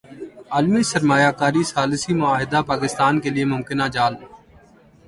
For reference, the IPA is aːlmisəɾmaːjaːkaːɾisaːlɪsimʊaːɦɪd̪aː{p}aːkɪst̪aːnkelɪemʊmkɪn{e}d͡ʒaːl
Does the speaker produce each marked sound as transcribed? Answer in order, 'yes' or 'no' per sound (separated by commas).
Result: yes, no